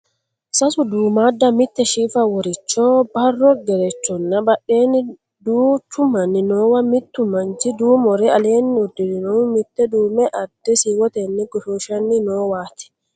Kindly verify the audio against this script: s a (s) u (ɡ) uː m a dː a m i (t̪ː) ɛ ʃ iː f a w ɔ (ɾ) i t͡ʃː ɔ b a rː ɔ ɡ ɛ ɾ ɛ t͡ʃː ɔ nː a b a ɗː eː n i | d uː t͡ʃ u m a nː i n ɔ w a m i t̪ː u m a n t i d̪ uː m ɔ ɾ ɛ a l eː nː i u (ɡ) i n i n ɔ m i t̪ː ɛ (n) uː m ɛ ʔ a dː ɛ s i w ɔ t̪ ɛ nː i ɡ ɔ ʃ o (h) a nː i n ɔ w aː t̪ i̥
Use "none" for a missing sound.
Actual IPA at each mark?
s, d, t̪ː, ɾ, d, d, ʃ

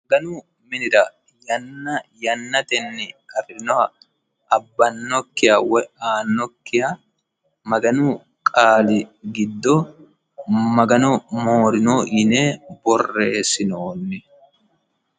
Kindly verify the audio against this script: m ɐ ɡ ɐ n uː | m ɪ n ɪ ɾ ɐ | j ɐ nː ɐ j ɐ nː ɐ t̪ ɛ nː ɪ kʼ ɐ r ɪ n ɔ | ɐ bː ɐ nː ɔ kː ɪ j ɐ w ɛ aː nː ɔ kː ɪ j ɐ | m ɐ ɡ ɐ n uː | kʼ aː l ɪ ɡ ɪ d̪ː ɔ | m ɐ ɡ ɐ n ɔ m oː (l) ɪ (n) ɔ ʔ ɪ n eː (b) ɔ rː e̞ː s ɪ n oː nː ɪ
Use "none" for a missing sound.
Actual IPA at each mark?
ɾ, n, b

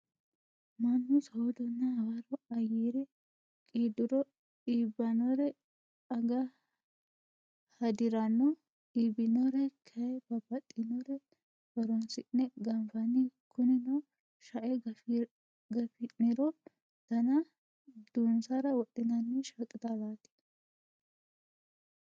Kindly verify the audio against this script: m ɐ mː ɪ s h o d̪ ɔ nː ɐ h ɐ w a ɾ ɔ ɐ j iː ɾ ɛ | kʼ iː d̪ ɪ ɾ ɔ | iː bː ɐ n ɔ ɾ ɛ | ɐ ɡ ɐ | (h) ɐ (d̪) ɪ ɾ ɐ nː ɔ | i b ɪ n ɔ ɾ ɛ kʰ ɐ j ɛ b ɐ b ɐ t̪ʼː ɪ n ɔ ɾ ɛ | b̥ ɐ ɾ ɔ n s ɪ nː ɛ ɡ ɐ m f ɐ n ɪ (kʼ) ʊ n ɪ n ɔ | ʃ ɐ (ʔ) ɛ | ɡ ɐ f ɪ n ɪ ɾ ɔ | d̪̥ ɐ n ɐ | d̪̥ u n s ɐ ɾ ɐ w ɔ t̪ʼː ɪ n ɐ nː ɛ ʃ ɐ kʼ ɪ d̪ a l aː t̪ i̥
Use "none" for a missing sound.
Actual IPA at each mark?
h, d̪, k, ʔ

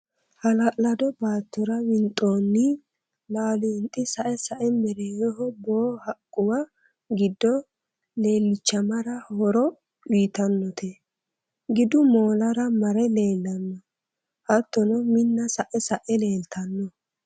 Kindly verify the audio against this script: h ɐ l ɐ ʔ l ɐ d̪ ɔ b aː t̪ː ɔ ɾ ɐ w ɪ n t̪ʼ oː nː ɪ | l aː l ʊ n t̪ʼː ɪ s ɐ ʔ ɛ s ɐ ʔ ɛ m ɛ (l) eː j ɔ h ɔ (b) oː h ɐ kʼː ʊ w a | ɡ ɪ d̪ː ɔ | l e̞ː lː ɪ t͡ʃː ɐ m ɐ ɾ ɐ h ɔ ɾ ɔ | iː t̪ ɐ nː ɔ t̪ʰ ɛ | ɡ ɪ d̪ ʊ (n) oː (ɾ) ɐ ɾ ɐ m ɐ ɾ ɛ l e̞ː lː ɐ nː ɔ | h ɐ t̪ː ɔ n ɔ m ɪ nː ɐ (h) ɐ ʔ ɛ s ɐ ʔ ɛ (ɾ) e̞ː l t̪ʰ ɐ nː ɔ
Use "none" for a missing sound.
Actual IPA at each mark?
ɾ, b, m, l, s, l

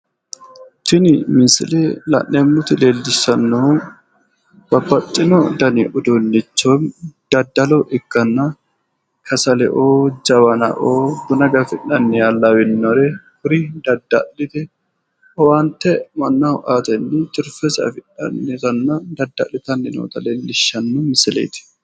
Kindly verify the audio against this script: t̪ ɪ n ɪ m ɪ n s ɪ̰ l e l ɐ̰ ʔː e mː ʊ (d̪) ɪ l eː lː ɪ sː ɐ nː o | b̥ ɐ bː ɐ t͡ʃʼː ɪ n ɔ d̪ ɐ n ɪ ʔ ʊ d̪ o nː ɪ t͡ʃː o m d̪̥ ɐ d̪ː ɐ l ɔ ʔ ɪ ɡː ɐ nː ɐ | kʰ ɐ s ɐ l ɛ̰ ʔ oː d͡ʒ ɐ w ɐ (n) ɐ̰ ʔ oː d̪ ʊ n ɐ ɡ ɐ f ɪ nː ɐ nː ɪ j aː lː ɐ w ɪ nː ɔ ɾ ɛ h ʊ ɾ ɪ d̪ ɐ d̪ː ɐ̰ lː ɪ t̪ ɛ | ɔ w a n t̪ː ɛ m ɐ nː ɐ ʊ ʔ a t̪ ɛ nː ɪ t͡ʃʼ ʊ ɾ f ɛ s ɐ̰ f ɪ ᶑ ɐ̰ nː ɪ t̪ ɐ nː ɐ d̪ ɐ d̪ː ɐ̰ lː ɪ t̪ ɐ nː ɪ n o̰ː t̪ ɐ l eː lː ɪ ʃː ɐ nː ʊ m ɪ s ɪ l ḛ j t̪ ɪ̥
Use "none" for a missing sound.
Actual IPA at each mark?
t̪, n

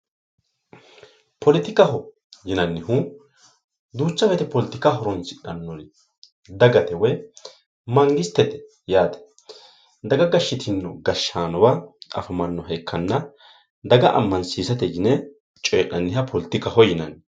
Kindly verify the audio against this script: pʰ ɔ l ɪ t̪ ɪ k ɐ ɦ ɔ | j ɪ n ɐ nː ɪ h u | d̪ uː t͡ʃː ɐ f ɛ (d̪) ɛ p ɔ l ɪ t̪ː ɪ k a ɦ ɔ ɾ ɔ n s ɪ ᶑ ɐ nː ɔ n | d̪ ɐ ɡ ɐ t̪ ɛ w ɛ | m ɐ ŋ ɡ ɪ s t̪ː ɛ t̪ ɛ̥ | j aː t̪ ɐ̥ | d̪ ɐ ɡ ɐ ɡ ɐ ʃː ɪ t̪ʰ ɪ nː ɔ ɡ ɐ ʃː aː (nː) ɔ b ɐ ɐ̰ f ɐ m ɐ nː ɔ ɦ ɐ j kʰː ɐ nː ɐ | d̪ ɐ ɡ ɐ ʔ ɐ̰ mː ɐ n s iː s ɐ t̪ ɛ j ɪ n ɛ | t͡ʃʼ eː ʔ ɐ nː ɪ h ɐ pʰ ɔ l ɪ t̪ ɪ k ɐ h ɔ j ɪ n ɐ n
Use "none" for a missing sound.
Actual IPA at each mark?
t̪, n

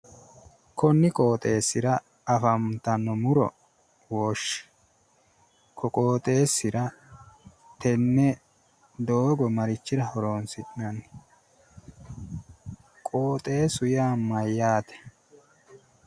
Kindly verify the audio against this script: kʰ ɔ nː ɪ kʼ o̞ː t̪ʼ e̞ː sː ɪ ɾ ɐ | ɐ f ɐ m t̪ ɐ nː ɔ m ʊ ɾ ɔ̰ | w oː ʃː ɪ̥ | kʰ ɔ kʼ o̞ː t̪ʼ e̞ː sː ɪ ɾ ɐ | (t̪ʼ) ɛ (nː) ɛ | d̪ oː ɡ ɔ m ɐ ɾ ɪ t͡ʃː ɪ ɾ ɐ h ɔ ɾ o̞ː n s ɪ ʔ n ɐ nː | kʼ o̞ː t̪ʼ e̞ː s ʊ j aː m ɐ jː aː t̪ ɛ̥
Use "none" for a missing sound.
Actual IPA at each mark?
t̪, nː

